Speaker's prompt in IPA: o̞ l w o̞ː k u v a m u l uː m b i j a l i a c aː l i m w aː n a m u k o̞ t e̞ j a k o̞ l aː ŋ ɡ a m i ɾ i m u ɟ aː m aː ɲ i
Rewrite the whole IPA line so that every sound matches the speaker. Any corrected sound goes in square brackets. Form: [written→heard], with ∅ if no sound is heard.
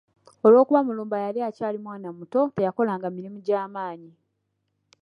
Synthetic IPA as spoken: o̞ l w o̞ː k u [v→β] a m u l uː m b [i→a] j a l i a c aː l i m w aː n a m u [k→t] o̞ t e̞ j a k o̞ l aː ŋ ɡ a m i ɾ i m u ɟ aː m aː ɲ i